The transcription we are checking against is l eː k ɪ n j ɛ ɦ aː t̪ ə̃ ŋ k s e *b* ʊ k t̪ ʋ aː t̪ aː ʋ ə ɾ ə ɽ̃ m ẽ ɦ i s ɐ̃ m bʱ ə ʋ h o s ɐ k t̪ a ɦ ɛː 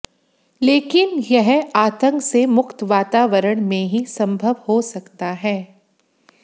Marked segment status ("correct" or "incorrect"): incorrect